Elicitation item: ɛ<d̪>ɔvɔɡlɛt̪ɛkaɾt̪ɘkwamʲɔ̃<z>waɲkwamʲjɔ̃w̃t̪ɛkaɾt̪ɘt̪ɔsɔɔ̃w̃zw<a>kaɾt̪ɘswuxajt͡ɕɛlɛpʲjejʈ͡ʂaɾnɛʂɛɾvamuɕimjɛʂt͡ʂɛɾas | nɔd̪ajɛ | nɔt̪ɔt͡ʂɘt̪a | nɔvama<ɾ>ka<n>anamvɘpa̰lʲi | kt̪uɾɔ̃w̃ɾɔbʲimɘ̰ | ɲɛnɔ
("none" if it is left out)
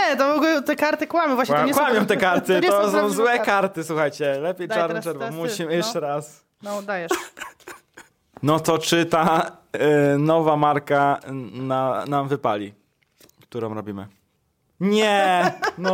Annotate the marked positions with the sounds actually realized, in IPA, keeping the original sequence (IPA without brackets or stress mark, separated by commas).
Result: t̪, v, ɛ, ɾ, n